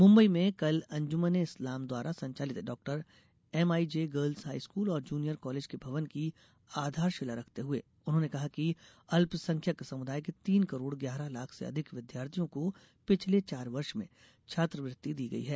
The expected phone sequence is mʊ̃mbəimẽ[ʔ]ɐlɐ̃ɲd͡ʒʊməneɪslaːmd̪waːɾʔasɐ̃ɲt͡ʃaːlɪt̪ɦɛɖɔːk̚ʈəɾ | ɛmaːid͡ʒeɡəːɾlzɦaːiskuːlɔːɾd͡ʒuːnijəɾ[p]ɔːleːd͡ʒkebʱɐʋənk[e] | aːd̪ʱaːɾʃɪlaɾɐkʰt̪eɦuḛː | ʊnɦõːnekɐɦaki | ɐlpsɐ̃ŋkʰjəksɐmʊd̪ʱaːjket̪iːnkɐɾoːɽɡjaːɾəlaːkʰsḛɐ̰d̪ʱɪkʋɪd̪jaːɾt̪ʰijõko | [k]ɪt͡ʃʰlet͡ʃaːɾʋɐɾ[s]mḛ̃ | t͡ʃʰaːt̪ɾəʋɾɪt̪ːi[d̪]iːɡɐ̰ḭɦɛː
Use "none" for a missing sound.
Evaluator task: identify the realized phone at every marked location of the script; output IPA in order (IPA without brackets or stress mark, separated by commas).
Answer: k, k, i, p, ʃ, d̪